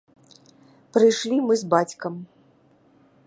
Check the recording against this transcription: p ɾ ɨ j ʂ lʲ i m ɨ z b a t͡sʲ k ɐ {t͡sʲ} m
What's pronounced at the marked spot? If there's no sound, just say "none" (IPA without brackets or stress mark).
none